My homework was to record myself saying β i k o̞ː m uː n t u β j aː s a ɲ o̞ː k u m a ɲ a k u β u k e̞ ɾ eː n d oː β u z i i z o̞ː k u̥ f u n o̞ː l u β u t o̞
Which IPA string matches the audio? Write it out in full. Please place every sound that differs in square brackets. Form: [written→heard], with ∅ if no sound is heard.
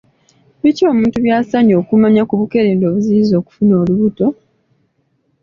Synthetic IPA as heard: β i [k→c] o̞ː m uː n t u β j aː s a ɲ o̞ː k u m a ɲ a k u β u k e̞ ɾ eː n d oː β u z i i z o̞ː k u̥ f u n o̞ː l u β u t o̞